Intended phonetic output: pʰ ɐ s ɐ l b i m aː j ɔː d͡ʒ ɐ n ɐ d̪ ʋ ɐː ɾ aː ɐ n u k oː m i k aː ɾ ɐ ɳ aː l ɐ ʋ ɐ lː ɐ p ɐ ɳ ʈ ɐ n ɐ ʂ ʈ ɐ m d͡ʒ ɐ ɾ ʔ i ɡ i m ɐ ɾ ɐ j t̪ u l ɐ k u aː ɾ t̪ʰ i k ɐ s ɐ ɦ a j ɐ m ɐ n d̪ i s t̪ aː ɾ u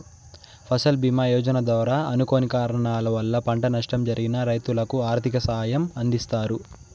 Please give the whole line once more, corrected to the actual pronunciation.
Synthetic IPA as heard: pʰ ɐ s ɐ l b i m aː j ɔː d͡ʒ ɐ n ɐ d̪ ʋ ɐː ɾ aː ɐ n u k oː n i k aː ɾ ɐ ɳ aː l ɐ ʋ ɐ lː ɐ p ɐ ɳ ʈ ɐ n ɐ ʂ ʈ ɐ m d͡ʒ ɐ ɾ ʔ i ɡ i n ɐ ɾ ɐ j t̪ u l ɐ k u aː ɾ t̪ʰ i k ɐ s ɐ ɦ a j ɐ m ɐ n d̪ i s t̪ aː ɾ u